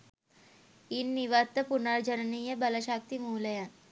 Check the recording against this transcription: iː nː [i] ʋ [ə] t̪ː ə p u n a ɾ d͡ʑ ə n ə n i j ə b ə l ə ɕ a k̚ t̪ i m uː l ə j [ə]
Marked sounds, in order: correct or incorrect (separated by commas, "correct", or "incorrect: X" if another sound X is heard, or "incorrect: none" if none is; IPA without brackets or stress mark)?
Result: correct, incorrect: a, incorrect: a